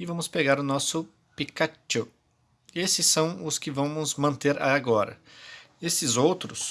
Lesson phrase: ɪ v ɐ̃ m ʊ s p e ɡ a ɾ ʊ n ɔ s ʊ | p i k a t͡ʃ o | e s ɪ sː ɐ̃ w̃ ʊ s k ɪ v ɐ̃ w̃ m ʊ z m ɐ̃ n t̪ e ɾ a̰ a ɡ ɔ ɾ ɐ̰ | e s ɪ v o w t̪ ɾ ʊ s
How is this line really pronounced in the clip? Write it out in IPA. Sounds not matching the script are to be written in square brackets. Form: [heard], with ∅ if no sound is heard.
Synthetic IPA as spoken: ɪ v ɐ̃ m ʊ s p e ɡ a ɾ ʊ n ɔ s ʊ | p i k a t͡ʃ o | e s ɪ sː ɐ̃ w̃ ʊ s k ɪ v ɐ̃ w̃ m ʊ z m ɐ̃ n t̪ e ɾ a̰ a ɡ ɔ ɾ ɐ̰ | e s ɪ [z] o w t̪ ɾ ʊ s